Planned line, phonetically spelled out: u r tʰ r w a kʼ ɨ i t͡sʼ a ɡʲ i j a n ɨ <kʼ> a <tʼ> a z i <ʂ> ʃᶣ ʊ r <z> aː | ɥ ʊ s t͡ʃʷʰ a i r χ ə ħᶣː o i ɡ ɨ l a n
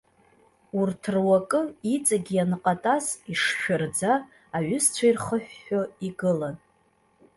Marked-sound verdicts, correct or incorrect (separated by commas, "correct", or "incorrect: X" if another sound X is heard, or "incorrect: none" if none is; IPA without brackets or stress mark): incorrect: qʼ, correct, correct, incorrect: d͡z